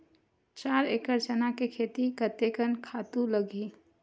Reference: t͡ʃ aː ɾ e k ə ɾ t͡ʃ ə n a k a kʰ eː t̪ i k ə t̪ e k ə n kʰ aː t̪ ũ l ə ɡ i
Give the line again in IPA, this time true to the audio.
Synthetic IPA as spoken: t͡ʃ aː ɾ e k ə ɾ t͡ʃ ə n a k e kʰ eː t̪ i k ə t̪ e k ə n kʰ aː t̪ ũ l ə ɡ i